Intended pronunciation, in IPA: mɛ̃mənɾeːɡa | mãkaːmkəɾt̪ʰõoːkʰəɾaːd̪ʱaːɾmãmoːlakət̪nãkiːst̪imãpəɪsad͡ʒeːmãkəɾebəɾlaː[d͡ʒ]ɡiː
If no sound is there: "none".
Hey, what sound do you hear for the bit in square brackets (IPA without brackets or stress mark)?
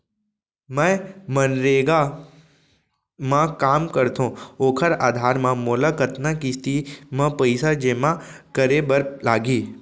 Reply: none